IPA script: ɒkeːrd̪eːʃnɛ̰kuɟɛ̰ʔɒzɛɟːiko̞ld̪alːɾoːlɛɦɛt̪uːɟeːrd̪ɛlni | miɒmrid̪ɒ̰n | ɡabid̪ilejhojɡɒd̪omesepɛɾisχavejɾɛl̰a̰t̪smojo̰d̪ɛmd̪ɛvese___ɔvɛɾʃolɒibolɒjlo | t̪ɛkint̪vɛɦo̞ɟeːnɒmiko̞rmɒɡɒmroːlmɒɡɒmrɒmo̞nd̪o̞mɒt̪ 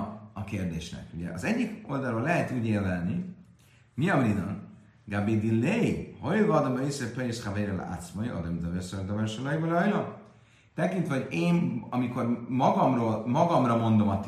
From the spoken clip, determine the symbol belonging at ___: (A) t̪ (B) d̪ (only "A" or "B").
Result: B